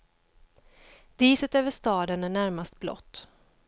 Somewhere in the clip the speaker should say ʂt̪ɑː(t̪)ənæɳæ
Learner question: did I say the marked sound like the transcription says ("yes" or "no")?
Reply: no